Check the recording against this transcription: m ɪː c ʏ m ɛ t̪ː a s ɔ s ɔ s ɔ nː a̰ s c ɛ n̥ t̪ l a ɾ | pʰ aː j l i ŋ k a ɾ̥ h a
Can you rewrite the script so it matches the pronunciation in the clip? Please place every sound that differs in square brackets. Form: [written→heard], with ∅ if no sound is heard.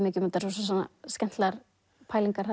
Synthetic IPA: m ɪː c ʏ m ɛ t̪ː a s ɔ s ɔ s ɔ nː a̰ s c ɛ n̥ t̪ l a ɾ | pʰ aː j l i ŋ k a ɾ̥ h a